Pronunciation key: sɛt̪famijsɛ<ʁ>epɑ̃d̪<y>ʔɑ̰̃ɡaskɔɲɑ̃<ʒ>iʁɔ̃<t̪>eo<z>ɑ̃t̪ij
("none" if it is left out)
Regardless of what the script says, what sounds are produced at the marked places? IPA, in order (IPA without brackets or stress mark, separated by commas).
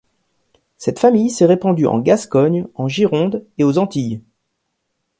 ʁ, y, ʒ, d̪, z